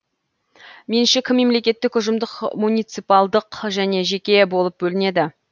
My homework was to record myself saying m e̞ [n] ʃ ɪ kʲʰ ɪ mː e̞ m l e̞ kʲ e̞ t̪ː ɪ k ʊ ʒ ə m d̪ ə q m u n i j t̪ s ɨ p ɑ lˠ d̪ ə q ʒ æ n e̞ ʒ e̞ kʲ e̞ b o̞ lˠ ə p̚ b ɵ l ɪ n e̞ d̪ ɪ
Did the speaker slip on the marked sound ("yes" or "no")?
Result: no